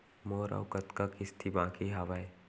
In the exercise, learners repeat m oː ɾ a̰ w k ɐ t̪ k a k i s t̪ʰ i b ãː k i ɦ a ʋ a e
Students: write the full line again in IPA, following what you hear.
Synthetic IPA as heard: m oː ɾ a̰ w k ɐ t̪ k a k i s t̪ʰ i b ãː k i ɦ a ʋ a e